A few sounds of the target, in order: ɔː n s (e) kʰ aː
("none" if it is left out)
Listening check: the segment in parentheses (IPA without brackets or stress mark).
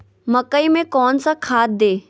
a